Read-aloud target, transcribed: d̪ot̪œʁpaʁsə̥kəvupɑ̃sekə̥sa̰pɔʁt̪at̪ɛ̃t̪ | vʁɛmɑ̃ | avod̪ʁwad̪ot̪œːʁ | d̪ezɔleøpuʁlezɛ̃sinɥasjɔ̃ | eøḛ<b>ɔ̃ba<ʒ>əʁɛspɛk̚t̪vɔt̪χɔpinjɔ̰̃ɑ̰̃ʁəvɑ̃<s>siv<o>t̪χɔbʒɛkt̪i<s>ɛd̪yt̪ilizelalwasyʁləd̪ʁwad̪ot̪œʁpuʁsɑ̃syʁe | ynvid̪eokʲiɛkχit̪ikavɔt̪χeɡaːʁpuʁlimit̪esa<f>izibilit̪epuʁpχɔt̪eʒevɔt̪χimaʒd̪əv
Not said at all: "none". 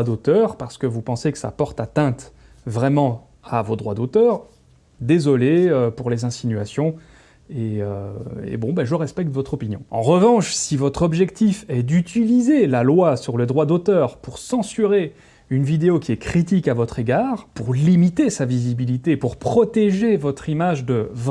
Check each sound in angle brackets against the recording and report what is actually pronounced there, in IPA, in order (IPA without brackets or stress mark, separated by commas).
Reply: b, ʒ, ʃ, ɔ, f, v